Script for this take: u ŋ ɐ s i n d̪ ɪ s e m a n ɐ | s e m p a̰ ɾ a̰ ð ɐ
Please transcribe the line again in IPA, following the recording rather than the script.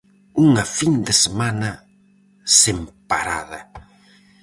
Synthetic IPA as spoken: u ŋ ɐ f i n d̪ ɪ s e m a n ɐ | s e m p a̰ ɾ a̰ ð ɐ